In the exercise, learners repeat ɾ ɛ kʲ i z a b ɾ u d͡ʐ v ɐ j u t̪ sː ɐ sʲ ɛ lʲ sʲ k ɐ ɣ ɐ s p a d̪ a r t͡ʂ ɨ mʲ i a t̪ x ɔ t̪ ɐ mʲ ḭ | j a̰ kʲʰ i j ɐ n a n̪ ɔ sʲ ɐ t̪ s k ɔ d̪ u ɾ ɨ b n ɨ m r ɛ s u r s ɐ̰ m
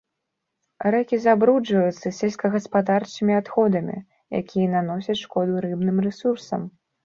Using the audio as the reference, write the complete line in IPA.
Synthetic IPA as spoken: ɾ ɛ kʲ i z a b ɾ u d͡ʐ v ɐ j u t̪ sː ɐ sʲ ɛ lʲ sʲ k ɐ ɣ ɐ s p a d̪ a r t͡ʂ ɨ mʲ i a t̪ x ɔ d̪ ɐ mʲ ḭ | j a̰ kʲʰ i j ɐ n a n̪ ɔ sʲ ɐ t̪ ʂ k ɔ d̪ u ɾ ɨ b n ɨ m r ɛ s u r s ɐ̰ m